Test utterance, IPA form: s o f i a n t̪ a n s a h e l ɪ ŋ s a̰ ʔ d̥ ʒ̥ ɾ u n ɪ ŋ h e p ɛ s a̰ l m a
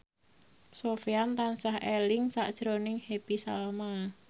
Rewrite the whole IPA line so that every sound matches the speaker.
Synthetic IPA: s o f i a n t̪ a n s a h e l ɪ ŋ s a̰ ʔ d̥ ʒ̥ ɾ o n ɪ ŋ h e p i s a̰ l m a

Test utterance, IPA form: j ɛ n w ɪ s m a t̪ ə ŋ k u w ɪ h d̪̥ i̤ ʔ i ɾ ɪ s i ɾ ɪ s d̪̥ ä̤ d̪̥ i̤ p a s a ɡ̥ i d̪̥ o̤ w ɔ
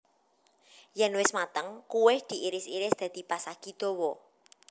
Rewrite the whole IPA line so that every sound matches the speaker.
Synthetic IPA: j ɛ n w ɪ s m a t̪ ə ŋ k u w ɪ h d̪̥ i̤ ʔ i ɾ ɪ s i ɾ ɪ s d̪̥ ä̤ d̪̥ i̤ p a s a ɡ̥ i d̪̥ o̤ w ɔ

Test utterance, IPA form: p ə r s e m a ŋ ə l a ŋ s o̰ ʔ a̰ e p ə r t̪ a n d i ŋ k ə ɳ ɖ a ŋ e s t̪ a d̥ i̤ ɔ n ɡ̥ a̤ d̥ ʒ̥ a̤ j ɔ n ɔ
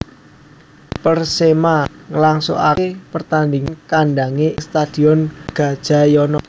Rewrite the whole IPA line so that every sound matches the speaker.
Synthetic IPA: p ə r s e m a ŋ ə l a ŋ s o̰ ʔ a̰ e p ə r t̪ a n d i ŋ k a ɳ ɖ a ŋ e s t̪ a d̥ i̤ ɔ n ɡ̥ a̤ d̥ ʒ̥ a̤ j ɔ n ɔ

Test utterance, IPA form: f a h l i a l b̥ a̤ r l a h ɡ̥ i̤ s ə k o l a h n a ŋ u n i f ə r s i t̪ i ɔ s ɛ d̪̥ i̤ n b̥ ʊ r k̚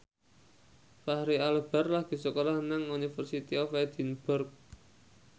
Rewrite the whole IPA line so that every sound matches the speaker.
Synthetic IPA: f a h ɾ i a l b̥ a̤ r l a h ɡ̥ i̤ s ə k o l a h n a ŋ u n i f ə r s i t̪ i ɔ f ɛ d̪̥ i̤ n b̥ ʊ r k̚

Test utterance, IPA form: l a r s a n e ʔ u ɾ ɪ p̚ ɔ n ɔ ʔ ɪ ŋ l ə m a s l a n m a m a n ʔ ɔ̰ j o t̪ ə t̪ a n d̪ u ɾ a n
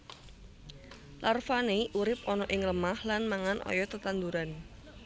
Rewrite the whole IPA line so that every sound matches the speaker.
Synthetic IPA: l a r f a n e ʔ u ɾ ɪ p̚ ɔ n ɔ ʔ ɪ ŋ l ə m a h l a n m a ŋ a n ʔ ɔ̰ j ɔ t̪ ə t̪ a n d̪ u ɾ a n

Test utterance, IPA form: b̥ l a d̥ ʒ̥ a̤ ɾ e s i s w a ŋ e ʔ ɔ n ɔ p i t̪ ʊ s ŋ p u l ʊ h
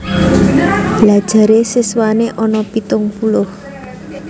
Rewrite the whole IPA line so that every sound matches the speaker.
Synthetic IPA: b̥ l a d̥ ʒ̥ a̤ ɾ e s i s w a n e ʔ ɔ n ɔ p i t̪ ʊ ŋ p u l ʊ h

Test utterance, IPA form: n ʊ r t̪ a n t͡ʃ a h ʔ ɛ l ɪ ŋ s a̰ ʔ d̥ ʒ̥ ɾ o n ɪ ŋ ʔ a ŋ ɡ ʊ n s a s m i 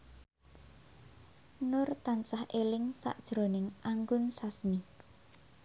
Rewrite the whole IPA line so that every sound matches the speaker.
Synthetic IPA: n ʊ r t̪ a n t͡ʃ a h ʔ e l ɪ ŋ s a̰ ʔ d̥ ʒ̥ ɾ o n ɪ ŋ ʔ a ŋ ɡ ʊ n s a s m i

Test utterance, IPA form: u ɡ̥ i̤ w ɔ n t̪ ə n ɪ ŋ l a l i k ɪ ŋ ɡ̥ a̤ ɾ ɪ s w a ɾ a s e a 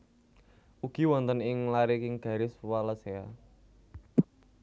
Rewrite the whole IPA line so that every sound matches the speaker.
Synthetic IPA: u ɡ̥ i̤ w ɔ n t̪ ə n ɪ ŋ l a ɾ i k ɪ ŋ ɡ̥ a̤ ɾ ɪ s w a l a s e a

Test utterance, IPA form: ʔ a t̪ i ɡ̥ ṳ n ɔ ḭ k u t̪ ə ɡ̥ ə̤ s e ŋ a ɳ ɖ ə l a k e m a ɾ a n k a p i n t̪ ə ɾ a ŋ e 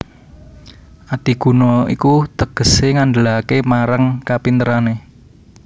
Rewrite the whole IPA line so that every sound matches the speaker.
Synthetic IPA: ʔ a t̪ i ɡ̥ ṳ n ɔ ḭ k u t̪ ə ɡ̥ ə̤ s e ŋ a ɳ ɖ ə l a k e m a ɾ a ŋ k a p i n t̪ ə ɾ a n e

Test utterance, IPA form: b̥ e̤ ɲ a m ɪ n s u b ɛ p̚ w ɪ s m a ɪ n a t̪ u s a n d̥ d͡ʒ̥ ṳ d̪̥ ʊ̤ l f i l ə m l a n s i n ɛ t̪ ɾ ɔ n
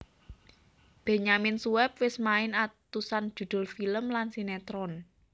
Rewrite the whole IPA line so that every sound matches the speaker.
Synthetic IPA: b̥ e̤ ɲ a m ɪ n s u w ɛ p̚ w ɪ s m a ɪ n a t̪ u s a n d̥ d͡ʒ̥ ṳ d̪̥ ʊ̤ l f i l ə m l a n s i n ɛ t̪ ɾ ɔ n

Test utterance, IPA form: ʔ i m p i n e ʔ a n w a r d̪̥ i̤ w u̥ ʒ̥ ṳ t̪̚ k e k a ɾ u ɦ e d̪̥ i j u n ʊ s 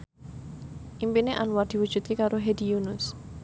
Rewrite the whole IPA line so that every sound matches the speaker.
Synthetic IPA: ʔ i m p i n e ʔ a n w a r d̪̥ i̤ w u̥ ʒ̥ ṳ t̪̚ k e k a ɾ o ɦ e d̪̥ i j u n ʊ s

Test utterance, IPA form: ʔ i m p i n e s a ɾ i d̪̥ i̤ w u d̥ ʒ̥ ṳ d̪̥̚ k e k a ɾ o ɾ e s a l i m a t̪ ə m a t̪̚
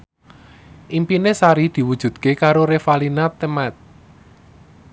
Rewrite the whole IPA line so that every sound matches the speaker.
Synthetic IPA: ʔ i m p i n e s a ɾ i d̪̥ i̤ w u d̥ ʒ̥ ṳ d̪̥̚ k e k a ɾ o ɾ e f a l i n a t̪ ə m a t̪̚

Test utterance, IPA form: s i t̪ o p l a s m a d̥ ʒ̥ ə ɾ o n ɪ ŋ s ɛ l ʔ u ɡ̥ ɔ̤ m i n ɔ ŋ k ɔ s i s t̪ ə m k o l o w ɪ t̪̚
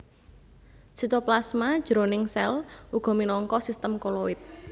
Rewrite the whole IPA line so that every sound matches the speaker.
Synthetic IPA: s i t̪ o p l a s m a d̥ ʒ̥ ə ɾ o n ɪ ŋ s ɛ l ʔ u ɡ̥ ɔ̤ m i n ɔ ŋ k ɔ s i s t̪ ə m k o l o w ɪ t̪̚

